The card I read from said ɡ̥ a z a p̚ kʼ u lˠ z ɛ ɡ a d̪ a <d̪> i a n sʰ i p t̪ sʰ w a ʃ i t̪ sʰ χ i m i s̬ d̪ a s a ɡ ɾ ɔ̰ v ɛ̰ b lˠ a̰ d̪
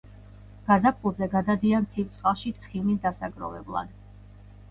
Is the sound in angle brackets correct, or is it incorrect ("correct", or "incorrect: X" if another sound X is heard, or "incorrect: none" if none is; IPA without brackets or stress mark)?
correct